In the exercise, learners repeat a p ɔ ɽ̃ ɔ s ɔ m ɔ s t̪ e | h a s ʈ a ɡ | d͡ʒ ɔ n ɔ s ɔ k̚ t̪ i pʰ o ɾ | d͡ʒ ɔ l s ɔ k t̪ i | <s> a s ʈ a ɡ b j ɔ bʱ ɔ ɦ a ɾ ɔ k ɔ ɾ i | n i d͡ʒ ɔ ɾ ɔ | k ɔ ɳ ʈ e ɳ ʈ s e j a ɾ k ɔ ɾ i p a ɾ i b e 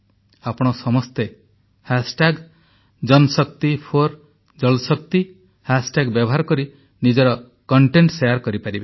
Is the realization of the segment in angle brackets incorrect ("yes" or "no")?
yes